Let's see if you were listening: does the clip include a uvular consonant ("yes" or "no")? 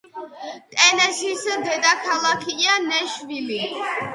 no